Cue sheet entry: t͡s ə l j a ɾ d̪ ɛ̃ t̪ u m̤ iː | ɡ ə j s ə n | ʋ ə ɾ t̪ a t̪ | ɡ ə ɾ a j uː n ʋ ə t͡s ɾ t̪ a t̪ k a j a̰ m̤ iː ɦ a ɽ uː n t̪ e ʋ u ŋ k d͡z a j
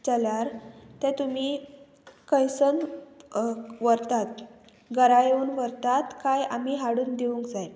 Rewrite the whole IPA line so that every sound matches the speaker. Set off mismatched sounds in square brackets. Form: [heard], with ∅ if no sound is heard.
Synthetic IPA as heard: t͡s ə l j a ɾ [t̪] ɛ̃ t̪ u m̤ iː | [k] ə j s ə n | ʋ ə ɾ t̪ a t̪ | ɡ ə ɾ a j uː n ʋ ə [∅] ɾ t̪ a t̪ k a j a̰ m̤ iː ɦ a ɽ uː n [d̪] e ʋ u ŋ k d͡z a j

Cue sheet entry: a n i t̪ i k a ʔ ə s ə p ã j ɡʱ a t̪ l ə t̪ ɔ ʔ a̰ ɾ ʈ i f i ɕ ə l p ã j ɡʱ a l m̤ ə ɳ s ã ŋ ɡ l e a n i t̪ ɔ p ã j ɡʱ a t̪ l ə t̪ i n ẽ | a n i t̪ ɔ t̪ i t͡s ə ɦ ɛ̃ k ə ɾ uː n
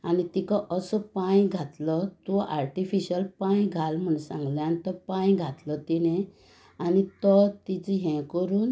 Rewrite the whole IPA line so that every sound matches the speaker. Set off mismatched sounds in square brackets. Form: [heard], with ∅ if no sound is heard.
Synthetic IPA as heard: a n i t̪ i k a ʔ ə s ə p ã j ɡʱ a t̪ l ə t̪ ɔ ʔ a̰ ɾ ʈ i f i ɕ ə l p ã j ɡʱ a l m̤ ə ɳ s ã ŋ ɡ l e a n i t̪ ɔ p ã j ɡʱ a t̪ l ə t̪ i n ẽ | a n i t̪ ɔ t̪ i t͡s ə ɦ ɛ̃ k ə ɾ uː n

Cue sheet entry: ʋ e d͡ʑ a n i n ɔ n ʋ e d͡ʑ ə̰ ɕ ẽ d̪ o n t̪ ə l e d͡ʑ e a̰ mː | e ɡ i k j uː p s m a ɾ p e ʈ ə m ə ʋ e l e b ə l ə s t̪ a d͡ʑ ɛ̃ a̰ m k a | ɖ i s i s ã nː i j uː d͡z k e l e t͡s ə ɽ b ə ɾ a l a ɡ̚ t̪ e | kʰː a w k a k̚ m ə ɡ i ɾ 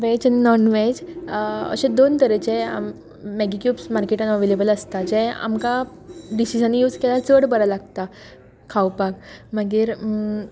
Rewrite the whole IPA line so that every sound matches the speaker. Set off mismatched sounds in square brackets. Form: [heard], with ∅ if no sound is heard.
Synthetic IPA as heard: ʋ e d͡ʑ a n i n ɔ n ʋ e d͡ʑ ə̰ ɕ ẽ d̪ o n t̪ ə [ɾ] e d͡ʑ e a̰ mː | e ɡ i k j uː p s m a ɾ [k] e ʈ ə [n] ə ʋ e l e b ə l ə s t̪ a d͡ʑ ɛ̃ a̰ m k a | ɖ i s i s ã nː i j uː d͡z k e l [a] t͡s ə ɽ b ə ɾ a l a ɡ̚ t̪ [a] | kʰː a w [p] a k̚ m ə ɡ i ɾ

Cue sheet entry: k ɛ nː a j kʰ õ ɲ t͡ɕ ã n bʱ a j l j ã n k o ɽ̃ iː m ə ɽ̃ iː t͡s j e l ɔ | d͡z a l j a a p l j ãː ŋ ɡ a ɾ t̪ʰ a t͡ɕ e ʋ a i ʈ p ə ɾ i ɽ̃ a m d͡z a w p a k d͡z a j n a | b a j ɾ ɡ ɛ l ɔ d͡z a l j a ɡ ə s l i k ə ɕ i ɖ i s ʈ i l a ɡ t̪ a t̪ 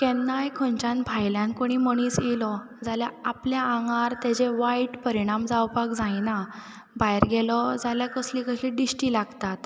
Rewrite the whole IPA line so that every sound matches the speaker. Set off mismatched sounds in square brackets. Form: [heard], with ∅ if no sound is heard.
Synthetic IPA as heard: k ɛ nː a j kʰ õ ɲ t͡ɕ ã n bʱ a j l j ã n k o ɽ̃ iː m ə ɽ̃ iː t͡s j e l ɔ | d͡z a l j a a p l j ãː ŋ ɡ a ɾ [t̪] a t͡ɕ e ʋ a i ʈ p ə ɾ i ɽ̃ a m d͡z a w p a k d͡z a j n a | b a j ɾ ɡ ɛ l ɔ d͡z a l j a [k] ə s l i k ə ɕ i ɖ i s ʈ i l a ɡ t̪ a t̪

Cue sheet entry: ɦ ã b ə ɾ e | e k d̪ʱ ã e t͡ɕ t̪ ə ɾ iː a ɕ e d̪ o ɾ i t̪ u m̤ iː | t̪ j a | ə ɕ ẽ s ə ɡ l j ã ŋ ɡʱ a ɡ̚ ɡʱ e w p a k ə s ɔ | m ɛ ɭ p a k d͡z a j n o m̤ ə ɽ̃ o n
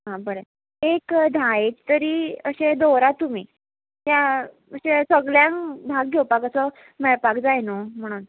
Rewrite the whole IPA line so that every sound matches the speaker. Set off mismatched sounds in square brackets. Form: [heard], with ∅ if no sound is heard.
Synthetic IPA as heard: ɦ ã b ə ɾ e | e k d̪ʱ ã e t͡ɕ t̪ ə ɾ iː [ə] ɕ e d̪ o ɾ [a] t̪ u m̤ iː | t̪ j a | ə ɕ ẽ s ə ɡ l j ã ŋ [bʱ] a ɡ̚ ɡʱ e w p a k ə s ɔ | m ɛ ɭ p a k d͡z a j n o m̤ ə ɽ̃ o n

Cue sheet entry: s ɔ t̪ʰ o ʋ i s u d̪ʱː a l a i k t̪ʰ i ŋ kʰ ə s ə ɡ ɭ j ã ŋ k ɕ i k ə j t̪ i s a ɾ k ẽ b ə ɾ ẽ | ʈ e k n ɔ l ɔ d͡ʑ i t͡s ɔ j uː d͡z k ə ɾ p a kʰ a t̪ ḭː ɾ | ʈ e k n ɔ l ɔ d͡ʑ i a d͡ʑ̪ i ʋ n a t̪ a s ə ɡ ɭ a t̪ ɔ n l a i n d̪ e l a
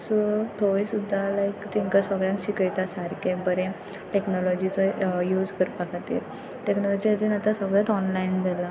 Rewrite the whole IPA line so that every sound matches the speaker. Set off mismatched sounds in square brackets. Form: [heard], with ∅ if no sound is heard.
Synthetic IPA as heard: s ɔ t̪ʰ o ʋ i s u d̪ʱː a l a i k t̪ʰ i ŋ [k] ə s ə ɡ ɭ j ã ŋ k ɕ i k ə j t̪ [a] s a ɾ k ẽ b ə ɾ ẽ | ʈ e k n ɔ l ɔ d͡ʑ i t͡s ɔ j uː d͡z k ə ɾ p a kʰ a t̪ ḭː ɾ | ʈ e k n ɔ l ɔ d͡ʑ i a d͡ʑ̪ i [∅] n a t̪ a s ə ɡ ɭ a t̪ ɔ n l a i n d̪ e l a

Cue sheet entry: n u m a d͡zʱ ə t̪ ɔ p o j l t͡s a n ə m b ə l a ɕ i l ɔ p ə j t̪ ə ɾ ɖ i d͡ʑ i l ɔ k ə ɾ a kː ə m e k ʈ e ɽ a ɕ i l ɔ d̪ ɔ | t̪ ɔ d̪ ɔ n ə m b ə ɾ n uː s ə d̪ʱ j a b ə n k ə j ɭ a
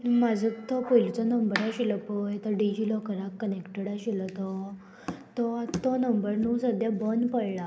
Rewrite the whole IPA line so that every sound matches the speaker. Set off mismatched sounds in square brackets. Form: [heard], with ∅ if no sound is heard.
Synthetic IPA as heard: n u m a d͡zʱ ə t̪ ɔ p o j l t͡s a n ə m b ə [ɾ] a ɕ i l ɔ p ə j t̪ ə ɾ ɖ i d͡ʑ i l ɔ k ə ɾ a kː ə [n] e k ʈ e ɽ a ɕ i l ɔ [t̪] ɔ | t̪ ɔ [t̪] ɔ n ə m b ə ɾ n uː s ə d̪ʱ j a b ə n [p] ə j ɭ a

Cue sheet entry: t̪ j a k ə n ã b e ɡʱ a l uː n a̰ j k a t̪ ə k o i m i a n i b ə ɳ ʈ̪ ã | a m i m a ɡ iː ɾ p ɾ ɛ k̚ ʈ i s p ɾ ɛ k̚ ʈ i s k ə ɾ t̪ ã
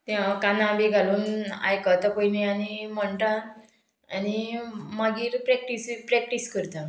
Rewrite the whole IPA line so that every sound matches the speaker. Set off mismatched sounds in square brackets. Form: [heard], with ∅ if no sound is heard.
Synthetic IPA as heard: t̪ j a k [a] n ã b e ɡʱ a l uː n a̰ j k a t̪ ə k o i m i a n i [m] ə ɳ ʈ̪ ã | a [n] i m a ɡ iː ɾ p ɾ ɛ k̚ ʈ i s p ɾ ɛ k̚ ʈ i s k ə ɾ t̪ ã

